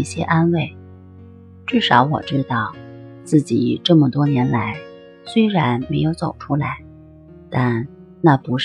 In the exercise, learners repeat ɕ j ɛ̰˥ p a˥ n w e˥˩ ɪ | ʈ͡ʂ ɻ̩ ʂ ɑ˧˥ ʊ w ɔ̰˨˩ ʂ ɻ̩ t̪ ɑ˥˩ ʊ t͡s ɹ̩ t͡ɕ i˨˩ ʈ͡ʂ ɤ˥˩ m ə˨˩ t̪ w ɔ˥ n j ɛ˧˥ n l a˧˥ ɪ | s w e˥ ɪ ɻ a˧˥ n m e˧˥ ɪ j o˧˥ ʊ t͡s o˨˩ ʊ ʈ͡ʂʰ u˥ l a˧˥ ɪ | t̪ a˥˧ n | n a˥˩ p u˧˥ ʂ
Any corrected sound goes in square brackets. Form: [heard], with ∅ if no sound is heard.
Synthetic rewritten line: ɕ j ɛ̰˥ [ʔ] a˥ n w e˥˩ ɪ | ʈ͡ʂ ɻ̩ ʂ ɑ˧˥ ʊ w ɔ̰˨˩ [ʈ͡ʂ] ɻ̩ t̪ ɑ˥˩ ʊ t͡s ɹ̩ t͡ɕ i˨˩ ʈ͡ʂ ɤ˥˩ m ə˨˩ t̪ w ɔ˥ n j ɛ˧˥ n l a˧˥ ɪ | s w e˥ ɪ ɻ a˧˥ n m e˧˥ ɪ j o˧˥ ʊ t͡s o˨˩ ʊ ʈ͡ʂʰ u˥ l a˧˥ ɪ | t̪ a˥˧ n | n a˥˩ p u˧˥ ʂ